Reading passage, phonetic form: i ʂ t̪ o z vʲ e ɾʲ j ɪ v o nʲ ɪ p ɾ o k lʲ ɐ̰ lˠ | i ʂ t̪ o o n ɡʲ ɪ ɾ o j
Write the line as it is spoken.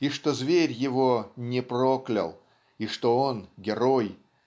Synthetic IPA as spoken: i ʂ t̪ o z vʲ e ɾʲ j ɪ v o nʲ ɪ p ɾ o k lʲ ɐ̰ lˠ | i ʂ t̪ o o n ɡʲ ɪ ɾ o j